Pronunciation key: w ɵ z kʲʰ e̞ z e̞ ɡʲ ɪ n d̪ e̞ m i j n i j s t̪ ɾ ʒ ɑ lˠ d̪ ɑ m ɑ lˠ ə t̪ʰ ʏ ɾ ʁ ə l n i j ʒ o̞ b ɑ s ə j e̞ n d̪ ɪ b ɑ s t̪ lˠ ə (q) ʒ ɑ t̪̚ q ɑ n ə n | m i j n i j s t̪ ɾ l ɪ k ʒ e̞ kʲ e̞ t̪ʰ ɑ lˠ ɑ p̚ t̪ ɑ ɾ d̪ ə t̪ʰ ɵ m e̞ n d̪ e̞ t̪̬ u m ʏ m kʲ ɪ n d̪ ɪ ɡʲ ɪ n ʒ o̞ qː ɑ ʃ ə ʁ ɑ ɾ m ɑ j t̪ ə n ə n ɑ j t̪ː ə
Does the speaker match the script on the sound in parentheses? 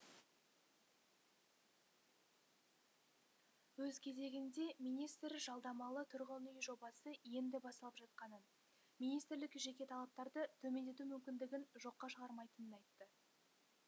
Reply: no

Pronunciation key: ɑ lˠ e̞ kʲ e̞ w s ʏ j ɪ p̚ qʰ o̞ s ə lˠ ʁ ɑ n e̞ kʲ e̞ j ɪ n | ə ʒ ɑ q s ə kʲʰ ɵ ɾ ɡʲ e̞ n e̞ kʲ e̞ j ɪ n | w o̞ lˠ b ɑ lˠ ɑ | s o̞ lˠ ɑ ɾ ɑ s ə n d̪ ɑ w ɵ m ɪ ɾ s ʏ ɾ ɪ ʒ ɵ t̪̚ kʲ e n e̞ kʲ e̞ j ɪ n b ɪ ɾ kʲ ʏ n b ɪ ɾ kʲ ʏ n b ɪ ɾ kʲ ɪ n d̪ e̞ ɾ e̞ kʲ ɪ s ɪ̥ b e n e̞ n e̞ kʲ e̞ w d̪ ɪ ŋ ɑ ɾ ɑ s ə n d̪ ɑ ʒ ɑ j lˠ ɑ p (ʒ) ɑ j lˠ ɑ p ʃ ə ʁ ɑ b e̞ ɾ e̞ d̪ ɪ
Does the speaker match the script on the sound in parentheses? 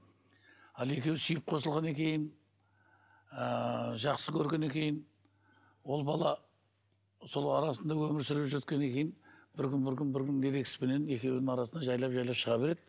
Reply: yes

